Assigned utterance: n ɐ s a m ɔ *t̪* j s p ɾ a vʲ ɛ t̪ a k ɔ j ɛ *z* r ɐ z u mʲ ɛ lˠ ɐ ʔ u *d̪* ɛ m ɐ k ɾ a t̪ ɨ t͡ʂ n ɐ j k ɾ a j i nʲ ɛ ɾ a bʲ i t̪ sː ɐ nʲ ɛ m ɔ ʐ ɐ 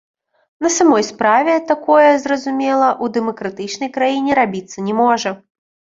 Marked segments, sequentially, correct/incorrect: incorrect, correct, correct

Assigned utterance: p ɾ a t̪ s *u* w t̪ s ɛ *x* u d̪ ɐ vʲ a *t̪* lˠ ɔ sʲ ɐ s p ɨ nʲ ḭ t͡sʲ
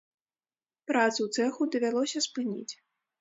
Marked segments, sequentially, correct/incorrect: correct, correct, incorrect

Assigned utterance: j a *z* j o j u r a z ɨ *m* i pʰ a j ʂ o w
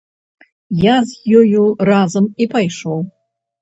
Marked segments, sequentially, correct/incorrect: correct, correct

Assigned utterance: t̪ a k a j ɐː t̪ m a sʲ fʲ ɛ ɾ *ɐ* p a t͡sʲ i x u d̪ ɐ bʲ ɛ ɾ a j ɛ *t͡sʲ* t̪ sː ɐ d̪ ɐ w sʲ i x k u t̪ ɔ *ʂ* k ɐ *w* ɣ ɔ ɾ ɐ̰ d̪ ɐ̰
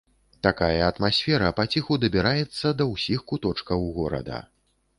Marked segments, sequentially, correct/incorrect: correct, incorrect, incorrect, correct

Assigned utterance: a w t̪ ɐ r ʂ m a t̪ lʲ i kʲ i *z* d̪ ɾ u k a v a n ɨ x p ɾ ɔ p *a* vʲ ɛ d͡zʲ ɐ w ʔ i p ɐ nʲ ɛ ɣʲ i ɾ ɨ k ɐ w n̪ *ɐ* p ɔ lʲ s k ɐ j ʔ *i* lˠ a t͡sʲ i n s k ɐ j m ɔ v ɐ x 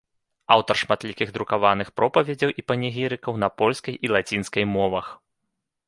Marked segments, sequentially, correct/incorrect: incorrect, incorrect, correct, correct

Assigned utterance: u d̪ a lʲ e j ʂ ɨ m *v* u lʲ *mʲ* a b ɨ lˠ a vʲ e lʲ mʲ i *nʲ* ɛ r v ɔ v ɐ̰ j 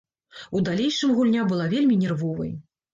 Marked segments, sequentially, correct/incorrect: incorrect, incorrect, correct

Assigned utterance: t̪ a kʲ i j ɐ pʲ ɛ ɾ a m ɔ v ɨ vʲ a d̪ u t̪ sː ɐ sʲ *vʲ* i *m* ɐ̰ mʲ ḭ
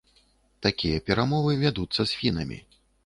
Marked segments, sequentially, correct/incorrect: incorrect, incorrect

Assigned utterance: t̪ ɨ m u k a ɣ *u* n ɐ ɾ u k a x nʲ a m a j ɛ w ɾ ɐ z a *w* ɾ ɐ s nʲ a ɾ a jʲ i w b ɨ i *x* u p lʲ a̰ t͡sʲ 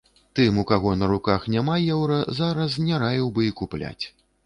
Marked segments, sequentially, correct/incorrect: incorrect, incorrect, incorrect

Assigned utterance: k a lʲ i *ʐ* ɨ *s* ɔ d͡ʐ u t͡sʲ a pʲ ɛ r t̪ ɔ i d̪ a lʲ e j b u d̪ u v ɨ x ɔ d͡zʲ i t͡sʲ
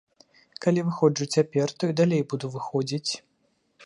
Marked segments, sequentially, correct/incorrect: incorrect, incorrect

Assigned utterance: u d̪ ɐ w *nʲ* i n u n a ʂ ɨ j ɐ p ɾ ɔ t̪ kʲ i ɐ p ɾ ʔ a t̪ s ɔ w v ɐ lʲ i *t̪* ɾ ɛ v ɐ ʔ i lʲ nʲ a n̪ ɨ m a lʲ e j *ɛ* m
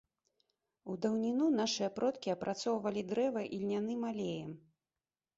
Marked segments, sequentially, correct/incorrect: correct, incorrect, correct

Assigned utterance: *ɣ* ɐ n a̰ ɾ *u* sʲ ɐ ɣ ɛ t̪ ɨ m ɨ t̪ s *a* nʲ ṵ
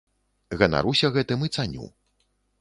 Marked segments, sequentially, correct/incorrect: correct, correct, correct

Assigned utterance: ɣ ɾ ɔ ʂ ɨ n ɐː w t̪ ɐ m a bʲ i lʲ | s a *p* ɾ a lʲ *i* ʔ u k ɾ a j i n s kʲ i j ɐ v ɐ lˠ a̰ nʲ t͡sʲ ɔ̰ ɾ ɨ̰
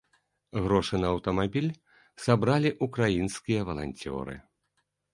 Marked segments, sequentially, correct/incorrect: incorrect, correct

